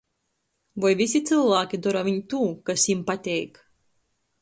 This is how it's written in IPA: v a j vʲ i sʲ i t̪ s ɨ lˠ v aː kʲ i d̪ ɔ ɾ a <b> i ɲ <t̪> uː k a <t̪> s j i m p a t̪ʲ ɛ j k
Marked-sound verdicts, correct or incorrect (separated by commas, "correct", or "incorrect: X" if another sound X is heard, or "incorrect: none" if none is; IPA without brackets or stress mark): incorrect: v, correct, incorrect: none